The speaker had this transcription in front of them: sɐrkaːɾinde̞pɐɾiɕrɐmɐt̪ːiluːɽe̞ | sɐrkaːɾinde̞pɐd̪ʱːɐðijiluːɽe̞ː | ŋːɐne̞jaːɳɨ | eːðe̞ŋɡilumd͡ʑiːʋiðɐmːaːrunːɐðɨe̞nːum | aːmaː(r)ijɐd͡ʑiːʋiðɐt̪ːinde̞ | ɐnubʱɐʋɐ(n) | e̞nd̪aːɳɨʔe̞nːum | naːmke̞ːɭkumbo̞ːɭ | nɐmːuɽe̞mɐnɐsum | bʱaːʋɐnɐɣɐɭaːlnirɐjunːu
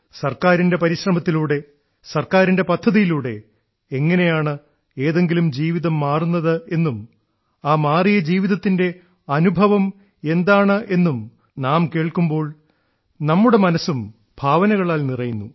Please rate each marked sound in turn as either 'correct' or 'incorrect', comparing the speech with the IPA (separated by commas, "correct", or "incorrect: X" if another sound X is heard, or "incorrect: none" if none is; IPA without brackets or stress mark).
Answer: correct, incorrect: m